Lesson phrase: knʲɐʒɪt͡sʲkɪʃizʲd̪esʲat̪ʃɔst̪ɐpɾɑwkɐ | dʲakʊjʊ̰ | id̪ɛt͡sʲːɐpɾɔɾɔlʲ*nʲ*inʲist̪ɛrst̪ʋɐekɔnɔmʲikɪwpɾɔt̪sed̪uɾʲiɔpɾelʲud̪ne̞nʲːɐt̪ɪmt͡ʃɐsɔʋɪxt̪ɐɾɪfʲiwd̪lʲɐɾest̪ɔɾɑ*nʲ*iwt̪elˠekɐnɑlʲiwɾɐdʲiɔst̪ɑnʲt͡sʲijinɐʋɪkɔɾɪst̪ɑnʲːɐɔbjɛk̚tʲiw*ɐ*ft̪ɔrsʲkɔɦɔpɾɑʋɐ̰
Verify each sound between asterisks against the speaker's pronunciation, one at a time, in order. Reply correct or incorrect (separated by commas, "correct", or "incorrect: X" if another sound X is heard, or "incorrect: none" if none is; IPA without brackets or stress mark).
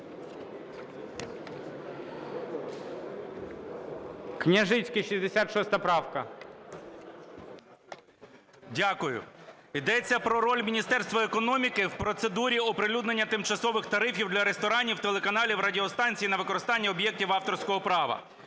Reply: incorrect: mʲ, correct, incorrect: ɑ